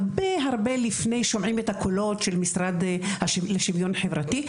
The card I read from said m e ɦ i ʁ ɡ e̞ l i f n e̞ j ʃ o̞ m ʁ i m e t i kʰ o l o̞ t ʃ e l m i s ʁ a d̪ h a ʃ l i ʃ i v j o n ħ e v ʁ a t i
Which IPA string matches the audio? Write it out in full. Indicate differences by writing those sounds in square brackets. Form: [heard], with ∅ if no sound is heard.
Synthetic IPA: [b] e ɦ [a] ʁ [b] e̞ l i f n e̞ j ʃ o̞ m [ʕ] i m e t [a] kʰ o l o̞ t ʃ e l m i s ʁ a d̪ h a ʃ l [e] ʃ i v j o n ħ e v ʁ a t i